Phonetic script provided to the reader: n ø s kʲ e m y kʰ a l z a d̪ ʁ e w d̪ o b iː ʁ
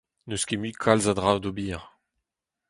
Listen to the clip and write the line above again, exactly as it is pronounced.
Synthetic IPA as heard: n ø s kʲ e m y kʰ a l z a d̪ ʁ a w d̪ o b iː ʁ